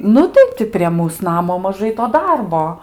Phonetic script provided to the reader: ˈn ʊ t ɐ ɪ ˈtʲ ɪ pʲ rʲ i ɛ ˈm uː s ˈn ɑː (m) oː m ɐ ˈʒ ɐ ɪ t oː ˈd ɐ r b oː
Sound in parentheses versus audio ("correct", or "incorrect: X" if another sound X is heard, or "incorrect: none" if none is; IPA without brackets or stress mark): correct